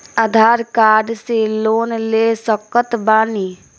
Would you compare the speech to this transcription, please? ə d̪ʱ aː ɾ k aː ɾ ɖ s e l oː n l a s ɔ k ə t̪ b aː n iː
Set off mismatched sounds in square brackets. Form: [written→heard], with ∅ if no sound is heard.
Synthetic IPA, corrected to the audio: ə d̪ʱ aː ɾ k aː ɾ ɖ s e l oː n l [a→e] s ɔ k ə t̪ b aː n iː